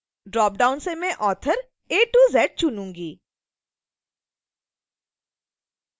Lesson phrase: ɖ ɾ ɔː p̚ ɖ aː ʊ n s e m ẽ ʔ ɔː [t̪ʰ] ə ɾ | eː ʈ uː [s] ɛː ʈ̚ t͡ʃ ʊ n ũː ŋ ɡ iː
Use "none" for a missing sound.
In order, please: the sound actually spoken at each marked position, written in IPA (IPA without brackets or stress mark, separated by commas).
t̪ʰ, z